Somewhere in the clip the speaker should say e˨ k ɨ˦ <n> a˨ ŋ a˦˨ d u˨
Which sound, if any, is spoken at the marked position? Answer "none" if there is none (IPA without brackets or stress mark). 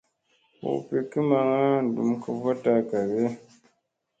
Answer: m